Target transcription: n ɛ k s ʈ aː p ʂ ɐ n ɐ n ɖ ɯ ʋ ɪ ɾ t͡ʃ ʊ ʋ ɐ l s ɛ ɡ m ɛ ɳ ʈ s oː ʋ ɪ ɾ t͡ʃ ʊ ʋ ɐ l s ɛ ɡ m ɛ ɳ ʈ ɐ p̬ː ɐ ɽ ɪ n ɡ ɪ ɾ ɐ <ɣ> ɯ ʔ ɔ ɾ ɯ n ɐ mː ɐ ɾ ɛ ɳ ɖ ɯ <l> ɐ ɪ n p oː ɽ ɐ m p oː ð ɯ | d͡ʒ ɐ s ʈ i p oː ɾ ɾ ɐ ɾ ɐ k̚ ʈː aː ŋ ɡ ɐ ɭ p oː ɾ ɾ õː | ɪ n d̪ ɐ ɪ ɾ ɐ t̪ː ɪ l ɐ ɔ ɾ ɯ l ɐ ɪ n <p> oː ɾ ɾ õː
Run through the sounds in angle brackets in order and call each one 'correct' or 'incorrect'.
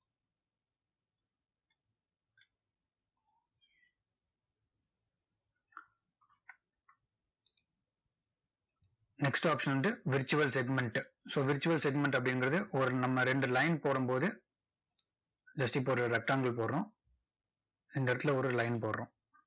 incorrect, correct, correct

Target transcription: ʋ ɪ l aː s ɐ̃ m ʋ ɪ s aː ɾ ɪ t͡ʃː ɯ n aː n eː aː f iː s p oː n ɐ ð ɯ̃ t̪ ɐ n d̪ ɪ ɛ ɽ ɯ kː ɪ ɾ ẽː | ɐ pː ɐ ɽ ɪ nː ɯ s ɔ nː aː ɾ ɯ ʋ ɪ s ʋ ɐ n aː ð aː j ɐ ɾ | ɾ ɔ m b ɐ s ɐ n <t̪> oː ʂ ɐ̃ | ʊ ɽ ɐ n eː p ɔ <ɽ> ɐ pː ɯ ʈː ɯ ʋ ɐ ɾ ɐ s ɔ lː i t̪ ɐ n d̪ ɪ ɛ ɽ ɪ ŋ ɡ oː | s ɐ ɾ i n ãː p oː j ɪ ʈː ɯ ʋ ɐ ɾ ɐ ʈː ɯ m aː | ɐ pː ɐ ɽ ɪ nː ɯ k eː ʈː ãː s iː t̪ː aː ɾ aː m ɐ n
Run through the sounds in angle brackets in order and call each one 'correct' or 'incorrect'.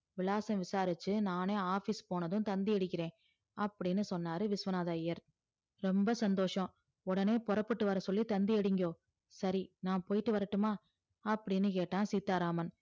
incorrect, incorrect

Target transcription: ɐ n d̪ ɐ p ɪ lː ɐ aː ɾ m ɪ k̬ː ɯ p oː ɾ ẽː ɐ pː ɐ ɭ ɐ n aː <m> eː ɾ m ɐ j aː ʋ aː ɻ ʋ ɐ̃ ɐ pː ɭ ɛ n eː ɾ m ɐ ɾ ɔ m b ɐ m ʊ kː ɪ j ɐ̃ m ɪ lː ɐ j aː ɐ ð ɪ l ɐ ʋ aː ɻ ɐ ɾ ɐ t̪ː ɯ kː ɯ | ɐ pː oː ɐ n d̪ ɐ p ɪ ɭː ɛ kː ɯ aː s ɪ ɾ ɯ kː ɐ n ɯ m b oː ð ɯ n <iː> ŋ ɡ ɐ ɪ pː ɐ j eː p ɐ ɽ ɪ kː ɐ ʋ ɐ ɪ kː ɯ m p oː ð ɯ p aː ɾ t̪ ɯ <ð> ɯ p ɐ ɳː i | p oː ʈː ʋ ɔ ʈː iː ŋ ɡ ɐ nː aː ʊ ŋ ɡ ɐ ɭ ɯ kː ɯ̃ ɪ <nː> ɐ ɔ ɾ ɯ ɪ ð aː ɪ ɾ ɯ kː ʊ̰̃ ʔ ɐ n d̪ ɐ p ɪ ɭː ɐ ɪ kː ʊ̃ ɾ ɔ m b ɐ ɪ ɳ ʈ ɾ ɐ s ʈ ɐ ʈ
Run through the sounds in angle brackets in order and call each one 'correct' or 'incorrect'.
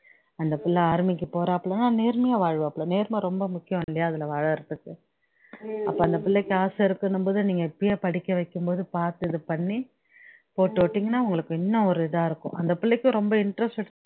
incorrect, correct, correct, correct

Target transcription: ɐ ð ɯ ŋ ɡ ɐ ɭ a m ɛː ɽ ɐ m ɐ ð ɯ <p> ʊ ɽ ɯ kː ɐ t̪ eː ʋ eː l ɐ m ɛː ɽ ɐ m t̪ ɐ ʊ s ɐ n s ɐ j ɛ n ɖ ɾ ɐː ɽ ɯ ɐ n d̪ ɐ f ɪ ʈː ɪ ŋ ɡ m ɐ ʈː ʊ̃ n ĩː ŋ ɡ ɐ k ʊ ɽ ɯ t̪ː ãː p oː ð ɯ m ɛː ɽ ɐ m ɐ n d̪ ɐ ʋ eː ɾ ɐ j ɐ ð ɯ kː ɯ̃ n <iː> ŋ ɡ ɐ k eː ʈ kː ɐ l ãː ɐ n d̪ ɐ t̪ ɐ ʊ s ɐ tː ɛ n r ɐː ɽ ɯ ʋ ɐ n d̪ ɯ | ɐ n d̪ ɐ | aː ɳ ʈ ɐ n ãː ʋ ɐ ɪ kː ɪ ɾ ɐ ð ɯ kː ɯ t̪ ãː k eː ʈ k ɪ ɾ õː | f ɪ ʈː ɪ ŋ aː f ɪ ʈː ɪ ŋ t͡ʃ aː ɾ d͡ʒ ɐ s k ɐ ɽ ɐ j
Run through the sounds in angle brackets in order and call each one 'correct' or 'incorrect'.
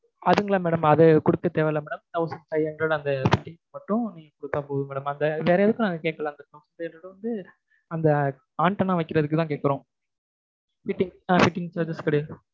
incorrect, incorrect

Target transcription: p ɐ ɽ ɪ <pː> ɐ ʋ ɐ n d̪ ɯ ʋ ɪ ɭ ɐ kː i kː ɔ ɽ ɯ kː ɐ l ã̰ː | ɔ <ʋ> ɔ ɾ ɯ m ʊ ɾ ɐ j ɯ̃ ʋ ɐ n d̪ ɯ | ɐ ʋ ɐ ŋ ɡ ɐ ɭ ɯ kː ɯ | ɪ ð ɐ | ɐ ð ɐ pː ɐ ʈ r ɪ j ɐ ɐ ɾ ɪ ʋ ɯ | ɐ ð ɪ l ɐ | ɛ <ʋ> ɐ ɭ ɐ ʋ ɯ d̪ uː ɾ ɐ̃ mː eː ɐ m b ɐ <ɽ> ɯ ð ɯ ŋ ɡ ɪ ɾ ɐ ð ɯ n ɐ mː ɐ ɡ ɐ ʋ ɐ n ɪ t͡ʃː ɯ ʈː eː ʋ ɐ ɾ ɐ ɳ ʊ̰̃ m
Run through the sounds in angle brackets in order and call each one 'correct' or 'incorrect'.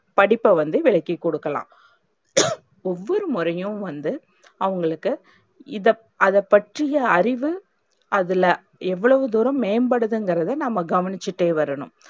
correct, incorrect, incorrect, correct

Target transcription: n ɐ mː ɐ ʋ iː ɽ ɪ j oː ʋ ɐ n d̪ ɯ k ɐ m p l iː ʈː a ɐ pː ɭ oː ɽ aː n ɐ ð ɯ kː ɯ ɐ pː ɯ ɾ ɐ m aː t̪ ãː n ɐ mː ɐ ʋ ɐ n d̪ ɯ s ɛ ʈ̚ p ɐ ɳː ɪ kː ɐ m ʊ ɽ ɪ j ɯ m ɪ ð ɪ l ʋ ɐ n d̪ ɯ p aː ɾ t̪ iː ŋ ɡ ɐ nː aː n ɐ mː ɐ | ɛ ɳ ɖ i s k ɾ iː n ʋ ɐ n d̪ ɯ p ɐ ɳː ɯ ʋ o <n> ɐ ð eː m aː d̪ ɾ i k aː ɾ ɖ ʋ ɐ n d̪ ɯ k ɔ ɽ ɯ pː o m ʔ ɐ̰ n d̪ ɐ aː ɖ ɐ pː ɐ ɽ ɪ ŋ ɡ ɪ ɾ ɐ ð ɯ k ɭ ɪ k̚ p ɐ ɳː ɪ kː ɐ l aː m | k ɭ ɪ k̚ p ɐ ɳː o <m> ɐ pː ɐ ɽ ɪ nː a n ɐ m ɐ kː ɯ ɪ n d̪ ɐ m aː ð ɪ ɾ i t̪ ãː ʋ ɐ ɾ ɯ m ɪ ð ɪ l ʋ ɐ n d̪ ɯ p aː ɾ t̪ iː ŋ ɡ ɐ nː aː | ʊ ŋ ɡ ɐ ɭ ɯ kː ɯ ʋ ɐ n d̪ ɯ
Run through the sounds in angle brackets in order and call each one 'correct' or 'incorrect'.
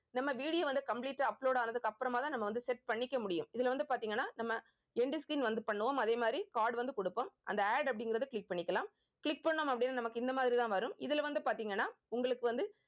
incorrect, correct

